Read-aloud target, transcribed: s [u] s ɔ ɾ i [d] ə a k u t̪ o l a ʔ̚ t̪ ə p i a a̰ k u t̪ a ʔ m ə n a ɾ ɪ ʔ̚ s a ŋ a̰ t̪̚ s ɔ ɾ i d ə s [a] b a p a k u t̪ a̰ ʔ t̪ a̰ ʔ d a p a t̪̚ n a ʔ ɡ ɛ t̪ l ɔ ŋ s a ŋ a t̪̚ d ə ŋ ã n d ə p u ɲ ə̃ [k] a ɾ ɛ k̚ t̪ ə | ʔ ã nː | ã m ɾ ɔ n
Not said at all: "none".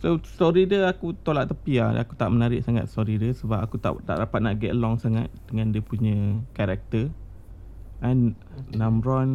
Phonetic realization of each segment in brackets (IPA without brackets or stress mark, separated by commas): o, d, ə, k